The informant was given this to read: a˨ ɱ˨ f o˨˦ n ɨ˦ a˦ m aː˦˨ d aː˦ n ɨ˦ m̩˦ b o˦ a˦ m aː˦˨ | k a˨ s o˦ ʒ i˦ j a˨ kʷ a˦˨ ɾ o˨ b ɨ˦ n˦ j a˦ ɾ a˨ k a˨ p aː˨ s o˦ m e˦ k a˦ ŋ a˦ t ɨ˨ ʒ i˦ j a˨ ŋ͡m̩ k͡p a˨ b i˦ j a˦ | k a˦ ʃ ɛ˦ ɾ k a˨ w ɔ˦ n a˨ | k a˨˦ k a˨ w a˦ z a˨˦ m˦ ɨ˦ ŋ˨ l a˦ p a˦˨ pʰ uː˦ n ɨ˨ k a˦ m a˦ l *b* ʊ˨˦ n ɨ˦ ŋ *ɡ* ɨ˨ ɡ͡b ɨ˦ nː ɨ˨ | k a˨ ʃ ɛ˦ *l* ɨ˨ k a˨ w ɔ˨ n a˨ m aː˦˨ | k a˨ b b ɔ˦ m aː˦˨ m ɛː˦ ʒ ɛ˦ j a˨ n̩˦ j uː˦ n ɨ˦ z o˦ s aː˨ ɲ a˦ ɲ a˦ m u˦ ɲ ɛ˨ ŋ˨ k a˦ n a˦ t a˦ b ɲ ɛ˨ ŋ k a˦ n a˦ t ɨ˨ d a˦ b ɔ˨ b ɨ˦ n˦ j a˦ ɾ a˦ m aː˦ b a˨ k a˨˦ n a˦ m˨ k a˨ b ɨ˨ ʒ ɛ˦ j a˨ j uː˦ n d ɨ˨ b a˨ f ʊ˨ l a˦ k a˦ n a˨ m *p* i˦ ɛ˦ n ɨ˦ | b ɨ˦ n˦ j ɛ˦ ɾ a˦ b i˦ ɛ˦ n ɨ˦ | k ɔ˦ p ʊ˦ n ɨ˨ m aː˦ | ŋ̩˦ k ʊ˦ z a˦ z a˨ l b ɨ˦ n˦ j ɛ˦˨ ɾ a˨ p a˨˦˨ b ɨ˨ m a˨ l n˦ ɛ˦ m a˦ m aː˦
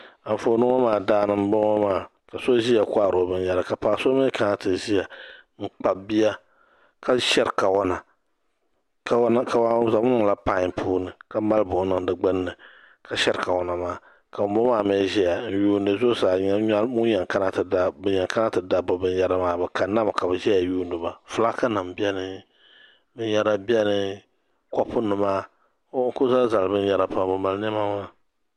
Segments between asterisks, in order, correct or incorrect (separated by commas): correct, incorrect, incorrect, incorrect